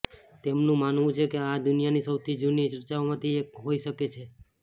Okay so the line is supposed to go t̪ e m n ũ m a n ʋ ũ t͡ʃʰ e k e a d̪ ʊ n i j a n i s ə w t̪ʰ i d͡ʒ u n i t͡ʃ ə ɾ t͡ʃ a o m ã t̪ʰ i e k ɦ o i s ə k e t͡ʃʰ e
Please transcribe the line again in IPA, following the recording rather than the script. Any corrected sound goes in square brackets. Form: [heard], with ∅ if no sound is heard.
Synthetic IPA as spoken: t̪ e m n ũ m a n ʋ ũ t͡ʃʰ e k e a d̪ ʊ n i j a n i s ə w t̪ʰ i d͡ʒ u n i t͡ʃ ə ɾ t͡ʃ a o m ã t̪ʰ i e k ɦ o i [ʃ] ə k e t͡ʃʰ e